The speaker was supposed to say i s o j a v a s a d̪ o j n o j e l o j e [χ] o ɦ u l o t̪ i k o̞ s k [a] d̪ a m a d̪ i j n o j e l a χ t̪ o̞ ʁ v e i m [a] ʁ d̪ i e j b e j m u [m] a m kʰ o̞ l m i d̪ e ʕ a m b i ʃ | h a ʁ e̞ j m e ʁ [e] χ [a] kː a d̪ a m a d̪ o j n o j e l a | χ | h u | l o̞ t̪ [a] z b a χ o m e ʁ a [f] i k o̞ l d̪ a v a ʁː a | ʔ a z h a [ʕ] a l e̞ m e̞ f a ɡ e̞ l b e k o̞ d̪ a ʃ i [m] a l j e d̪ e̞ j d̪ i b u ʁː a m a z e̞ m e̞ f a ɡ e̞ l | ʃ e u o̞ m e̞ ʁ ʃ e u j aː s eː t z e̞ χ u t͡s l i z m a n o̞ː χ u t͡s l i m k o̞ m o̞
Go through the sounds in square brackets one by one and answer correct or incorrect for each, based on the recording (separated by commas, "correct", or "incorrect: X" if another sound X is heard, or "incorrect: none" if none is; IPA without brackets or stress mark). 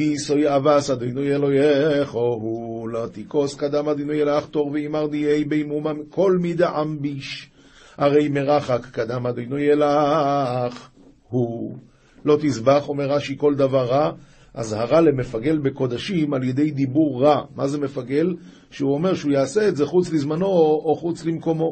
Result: correct, correct, correct, correct, incorrect: a, correct, incorrect: i, incorrect: ʃ, incorrect: ʁ, correct